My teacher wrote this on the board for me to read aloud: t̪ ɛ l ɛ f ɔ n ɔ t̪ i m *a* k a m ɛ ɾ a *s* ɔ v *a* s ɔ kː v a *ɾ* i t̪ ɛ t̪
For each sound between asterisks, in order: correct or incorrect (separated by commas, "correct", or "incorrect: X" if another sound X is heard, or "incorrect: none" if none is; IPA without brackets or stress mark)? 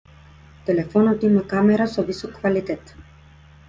correct, correct, incorrect: i, incorrect: l